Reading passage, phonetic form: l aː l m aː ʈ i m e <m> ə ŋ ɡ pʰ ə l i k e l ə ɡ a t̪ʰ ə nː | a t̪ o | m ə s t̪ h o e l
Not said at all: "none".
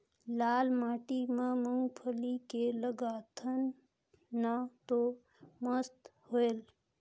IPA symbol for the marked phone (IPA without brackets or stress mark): m